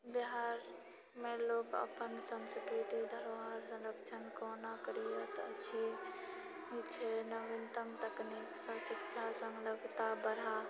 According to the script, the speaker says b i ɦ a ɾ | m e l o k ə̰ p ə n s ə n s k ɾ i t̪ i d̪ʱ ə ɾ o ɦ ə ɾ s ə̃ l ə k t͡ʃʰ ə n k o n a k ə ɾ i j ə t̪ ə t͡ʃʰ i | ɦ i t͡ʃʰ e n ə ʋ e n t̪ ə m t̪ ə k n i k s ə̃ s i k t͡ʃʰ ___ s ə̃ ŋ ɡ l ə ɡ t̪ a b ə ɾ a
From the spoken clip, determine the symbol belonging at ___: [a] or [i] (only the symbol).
a